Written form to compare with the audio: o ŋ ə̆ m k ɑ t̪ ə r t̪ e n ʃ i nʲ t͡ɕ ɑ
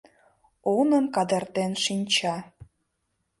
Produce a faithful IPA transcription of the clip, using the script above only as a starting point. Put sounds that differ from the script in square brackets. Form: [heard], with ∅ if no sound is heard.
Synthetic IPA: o [n] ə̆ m k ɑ [d̪] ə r t̪ e n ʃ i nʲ t͡ɕ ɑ